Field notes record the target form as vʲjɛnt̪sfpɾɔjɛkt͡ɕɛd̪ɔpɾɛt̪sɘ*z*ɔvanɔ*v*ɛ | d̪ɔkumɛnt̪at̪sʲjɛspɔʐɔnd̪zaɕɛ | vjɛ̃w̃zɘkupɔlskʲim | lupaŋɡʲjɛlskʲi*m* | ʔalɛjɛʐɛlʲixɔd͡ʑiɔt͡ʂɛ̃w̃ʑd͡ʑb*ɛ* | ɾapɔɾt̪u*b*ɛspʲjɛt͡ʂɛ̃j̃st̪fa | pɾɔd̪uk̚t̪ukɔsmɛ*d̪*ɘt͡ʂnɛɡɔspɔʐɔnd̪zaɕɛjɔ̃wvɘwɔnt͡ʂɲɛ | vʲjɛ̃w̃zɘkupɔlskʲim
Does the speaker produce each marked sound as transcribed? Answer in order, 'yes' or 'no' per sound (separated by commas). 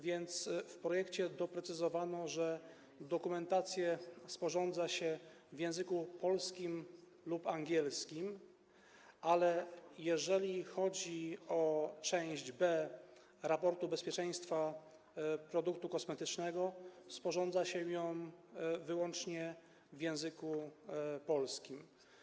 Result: yes, no, yes, yes, yes, no